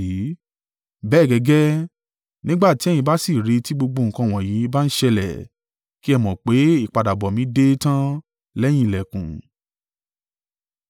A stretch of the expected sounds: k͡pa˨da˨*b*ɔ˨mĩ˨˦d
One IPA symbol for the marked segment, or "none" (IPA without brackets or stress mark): b